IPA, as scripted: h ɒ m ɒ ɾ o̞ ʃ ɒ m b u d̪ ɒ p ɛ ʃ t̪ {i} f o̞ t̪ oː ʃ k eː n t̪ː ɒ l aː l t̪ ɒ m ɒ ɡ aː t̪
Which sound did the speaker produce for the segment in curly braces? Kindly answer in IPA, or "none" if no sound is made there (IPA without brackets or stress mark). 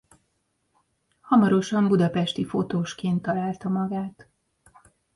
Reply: i